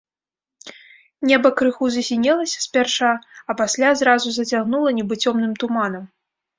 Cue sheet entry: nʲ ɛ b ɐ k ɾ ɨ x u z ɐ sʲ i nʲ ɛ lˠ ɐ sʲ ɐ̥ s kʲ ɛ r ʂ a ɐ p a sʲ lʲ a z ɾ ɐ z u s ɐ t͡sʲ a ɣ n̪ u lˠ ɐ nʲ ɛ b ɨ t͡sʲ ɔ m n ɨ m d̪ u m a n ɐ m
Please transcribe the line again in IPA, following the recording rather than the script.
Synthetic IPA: nʲ ɛ b ɐ k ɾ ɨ x u z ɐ sʲ i nʲ ɛ lˠ ɐ sʲ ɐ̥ s pʲ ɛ r ʂ a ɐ p a sʲ lʲ a z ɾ a z u z ɐ t͡sʲ a ɣ n̪ u lˠ ɐ nʲ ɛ b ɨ t͡sʲ ɔ m n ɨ m t̪ u m a n ɐ m